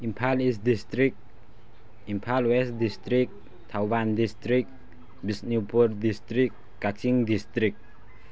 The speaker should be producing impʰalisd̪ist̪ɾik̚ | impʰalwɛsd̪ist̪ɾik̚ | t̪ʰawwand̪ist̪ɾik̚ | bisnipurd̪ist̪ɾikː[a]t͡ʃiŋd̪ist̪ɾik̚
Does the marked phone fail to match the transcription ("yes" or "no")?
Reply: no